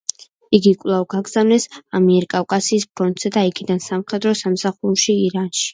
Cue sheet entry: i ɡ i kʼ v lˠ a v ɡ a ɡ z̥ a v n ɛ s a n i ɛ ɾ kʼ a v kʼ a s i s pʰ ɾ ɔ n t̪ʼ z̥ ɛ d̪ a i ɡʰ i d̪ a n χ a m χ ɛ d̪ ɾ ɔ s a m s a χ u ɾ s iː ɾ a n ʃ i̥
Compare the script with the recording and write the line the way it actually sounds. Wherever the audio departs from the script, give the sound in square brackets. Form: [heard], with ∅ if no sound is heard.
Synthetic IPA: i ɡ i kʼ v lˠ a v ɡ a ɡ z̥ a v n ɛ s a [m] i ɛ ɾ kʼ a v kʼ a s [iː] s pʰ ɾ ɔ n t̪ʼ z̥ ɛ d̪ a i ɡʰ i d̪ a n [s] a m χ ɛ d̪ ɾ ɔ s a m s a χ u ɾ [ʃ] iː ɾ a n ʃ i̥